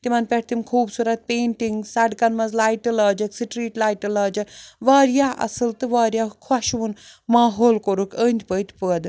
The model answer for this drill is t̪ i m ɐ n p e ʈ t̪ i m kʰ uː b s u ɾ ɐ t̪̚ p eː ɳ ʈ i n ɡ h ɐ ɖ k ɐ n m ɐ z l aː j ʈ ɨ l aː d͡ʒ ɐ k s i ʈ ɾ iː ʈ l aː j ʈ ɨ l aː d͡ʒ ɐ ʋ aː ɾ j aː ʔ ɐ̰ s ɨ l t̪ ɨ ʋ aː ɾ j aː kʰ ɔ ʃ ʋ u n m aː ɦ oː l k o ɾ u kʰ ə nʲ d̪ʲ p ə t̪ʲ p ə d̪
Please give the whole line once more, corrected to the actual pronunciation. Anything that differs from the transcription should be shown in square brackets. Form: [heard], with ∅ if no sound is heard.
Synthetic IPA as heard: t̪ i m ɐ n p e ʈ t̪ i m kʰ uː b s u ɾ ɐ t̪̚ p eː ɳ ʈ i [ŋ] ɡ [s] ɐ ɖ k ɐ n m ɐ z l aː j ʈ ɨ l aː d͡ʒ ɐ k s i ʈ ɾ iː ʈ l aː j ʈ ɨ l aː d͡ʒ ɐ ʋ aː ɾ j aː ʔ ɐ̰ s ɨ l t̪ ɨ ʋ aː ɾ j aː kʰ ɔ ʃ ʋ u n m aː ɦ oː l k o ɾ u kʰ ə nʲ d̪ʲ p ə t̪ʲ p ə d̪